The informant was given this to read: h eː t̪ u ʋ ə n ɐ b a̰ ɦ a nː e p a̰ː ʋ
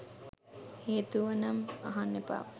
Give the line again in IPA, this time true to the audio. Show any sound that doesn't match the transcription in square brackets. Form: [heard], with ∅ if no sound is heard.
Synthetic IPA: h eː t̪ u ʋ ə n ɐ [m] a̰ ɦ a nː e p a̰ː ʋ